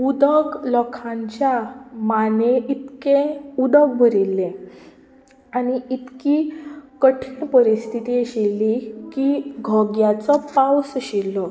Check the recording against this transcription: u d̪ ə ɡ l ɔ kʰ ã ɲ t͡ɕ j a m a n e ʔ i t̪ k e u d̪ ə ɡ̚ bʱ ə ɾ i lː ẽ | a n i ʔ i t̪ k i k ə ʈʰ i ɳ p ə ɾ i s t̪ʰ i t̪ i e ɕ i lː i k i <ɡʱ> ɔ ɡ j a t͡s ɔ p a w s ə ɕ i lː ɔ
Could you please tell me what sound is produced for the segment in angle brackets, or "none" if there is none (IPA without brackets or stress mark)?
ɡʱ